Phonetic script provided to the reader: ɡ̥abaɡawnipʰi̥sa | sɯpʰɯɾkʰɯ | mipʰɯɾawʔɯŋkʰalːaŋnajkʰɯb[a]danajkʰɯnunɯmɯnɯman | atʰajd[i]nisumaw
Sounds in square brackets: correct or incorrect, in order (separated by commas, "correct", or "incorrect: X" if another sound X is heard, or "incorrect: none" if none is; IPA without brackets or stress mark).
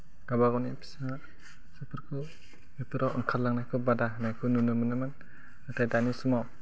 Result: correct, incorrect: a